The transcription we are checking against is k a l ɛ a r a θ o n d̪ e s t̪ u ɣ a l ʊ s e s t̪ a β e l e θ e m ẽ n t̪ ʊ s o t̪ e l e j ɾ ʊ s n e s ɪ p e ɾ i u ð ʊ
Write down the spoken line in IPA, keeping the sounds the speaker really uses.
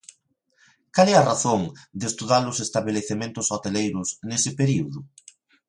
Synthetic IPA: k a l ɛ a r a θ o ŋ d̪ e s t̪ u ð a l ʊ s e s t̪ a β e l e θ e m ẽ n t̪ ʊ s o t̪ e l e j ɾ ʊ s n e s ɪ p e ɾ i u ð ʊ